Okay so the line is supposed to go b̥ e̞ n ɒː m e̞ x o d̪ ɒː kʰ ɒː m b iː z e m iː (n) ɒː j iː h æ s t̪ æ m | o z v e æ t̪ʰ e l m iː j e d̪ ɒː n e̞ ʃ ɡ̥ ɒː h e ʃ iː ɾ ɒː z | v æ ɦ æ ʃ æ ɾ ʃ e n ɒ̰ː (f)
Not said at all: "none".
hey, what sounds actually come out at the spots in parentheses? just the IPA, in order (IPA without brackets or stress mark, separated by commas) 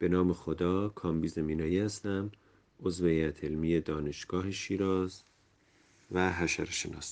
n, s